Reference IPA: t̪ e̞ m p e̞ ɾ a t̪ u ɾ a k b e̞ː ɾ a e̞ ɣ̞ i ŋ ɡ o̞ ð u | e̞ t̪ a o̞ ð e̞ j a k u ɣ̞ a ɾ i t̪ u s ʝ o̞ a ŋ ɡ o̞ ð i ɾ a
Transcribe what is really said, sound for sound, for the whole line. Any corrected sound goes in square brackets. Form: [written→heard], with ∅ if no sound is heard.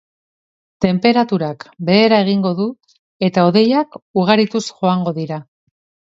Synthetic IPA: t̪ e̞ m p e̞ ɾ a t̪ u ɾ a k b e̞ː ɾ a e̞ ɣ̞ i ŋ ɡ o̞ ð u | e̞ t̪ a o̞ ð e̞ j a k u ɣ̞ a ɾ i t̪ u s ʝ o̞ a ŋ ɡ o̞ ð i ɾ a